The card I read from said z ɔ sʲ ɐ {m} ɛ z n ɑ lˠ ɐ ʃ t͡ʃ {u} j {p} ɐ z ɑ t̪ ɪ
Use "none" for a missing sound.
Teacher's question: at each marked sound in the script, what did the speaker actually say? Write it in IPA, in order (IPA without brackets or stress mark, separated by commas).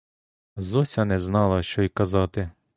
n, ɔ, k